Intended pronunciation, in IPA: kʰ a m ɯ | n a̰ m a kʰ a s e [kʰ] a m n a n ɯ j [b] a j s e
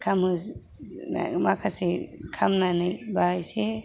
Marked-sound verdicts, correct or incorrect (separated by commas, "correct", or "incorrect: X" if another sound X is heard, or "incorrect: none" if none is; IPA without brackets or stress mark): correct, correct